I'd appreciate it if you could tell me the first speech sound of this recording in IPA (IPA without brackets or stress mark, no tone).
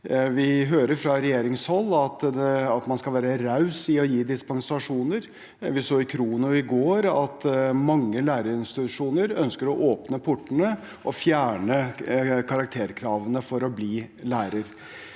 ʋ